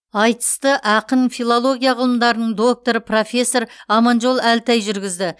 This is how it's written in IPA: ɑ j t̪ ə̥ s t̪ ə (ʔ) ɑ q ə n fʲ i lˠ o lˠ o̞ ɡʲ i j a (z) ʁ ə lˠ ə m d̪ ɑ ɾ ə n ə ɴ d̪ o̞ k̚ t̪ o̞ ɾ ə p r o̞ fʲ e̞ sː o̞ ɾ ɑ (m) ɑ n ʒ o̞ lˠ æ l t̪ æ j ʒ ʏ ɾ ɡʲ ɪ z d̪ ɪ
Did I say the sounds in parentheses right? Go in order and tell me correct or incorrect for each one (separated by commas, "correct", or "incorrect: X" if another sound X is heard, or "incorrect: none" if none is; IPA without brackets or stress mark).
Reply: correct, incorrect: none, correct